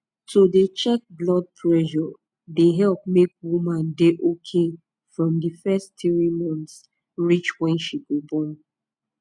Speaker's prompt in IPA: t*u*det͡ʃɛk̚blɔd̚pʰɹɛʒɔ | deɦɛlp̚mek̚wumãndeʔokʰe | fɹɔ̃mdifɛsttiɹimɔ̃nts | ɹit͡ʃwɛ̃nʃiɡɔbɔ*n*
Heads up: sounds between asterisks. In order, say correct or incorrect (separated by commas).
incorrect, correct